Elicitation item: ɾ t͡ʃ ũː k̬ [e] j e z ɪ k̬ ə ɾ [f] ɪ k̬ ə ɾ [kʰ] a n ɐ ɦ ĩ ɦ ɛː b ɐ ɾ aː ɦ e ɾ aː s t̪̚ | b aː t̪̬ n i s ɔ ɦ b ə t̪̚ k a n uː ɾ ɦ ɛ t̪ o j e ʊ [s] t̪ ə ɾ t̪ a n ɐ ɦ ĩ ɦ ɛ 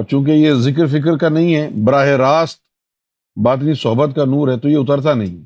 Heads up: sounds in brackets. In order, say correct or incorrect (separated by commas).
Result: correct, correct, incorrect, incorrect